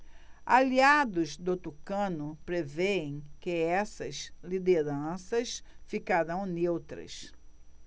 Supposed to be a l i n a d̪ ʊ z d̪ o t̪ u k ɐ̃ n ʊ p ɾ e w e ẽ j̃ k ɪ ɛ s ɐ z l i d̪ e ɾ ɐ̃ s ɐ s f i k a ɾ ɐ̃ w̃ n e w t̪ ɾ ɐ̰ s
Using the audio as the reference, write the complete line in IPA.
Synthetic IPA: a l i a d̪ ʊ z d̪ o t̪ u k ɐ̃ n ʊ p ɾ e v e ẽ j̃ k ɪ ɛ s ɐ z l i d̪ e ɾ ɐ̃ s ɐ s f i k a ɾ ɐ̃ w̃ n e w t̪ ɾ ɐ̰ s